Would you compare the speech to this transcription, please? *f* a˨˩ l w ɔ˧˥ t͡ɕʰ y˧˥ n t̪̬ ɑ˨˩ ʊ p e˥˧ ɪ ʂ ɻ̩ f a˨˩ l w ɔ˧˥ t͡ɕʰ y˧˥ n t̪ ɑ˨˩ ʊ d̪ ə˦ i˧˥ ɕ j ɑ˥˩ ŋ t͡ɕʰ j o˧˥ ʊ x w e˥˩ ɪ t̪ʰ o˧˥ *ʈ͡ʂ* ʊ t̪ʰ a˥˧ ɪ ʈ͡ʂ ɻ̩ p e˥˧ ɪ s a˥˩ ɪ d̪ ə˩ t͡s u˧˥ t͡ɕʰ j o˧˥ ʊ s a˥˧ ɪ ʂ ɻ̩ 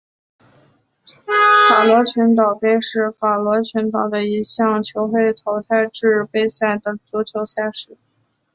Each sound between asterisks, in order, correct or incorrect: correct, incorrect: none

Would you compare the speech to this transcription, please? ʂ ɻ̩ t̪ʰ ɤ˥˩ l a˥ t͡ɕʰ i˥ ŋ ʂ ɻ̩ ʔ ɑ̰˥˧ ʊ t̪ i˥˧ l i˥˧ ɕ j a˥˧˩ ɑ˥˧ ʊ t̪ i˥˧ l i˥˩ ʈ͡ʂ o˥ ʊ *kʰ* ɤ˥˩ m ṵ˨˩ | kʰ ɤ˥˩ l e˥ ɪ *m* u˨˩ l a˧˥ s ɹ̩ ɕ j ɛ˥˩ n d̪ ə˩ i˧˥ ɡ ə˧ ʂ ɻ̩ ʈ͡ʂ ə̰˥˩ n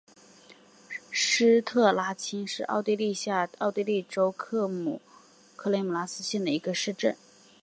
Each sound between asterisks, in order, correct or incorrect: correct, correct

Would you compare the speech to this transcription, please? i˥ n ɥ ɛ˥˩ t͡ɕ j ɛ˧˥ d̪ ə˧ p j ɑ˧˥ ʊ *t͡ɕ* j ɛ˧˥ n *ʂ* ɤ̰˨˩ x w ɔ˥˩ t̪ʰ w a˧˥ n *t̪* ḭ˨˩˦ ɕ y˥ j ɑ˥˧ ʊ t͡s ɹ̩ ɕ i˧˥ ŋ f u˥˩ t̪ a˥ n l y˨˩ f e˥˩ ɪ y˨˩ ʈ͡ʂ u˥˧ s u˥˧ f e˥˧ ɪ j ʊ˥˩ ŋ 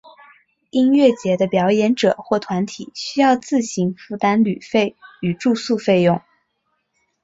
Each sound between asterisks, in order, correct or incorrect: incorrect: none, incorrect: ʈ͡ʂ, incorrect: t̪ʰ

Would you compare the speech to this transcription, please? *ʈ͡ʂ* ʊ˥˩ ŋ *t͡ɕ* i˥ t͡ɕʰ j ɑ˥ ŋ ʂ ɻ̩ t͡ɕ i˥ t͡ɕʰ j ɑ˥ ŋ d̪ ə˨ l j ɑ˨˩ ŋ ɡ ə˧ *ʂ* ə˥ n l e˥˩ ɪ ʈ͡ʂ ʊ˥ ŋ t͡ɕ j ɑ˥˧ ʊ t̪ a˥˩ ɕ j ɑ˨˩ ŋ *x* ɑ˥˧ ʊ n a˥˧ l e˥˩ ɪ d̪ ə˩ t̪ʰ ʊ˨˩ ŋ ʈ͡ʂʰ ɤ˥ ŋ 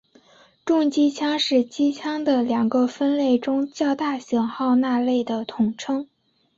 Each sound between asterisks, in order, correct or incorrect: correct, correct, incorrect: f, correct

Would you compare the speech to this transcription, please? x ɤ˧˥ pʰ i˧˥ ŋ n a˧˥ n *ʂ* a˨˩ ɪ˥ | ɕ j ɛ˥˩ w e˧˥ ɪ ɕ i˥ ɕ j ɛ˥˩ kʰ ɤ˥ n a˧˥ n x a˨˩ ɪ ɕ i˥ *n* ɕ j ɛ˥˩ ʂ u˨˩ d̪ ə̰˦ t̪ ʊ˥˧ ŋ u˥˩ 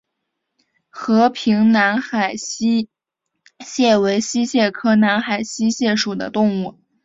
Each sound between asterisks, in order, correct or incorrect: incorrect: x, incorrect: none

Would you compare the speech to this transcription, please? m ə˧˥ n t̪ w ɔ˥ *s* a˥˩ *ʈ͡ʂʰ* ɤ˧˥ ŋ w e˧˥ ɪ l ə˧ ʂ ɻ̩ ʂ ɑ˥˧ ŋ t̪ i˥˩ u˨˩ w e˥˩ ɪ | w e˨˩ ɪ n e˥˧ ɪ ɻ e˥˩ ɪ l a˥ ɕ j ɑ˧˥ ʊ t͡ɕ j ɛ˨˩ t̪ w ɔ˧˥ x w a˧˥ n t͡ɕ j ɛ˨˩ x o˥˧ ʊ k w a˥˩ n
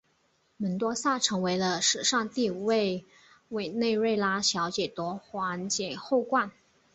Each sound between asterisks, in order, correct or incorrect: correct, correct

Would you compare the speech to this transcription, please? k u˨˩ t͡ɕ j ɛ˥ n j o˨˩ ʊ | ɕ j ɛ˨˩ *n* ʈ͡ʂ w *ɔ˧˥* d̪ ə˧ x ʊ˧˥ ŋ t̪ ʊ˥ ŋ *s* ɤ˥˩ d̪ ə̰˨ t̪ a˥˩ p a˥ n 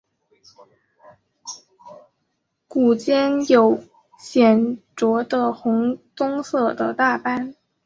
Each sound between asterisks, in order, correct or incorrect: correct, correct, correct

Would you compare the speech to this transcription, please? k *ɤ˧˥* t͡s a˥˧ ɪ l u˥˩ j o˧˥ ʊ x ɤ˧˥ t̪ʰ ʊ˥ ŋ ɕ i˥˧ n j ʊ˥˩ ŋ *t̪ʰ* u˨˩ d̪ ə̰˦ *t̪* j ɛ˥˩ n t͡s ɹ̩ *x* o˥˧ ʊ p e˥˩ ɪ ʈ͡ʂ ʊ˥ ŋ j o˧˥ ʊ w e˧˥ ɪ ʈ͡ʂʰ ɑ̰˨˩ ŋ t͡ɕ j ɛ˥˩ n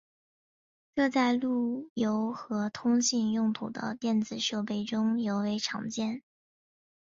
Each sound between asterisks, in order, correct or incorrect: incorrect: ɤ˥˧, correct, correct, incorrect: ʂ

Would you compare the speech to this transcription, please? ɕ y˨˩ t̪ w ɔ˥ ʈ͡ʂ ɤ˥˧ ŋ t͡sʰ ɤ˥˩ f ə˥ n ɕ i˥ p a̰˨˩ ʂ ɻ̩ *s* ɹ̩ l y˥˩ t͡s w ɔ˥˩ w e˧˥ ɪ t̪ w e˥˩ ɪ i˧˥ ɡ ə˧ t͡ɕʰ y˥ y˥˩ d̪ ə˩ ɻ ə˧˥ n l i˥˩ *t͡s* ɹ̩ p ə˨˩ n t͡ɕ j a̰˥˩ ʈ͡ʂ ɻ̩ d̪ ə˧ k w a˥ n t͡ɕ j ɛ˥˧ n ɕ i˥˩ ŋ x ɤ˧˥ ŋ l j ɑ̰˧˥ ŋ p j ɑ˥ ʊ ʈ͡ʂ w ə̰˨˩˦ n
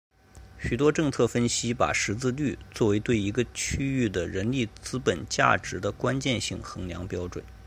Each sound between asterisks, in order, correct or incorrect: incorrect: t͡s, correct

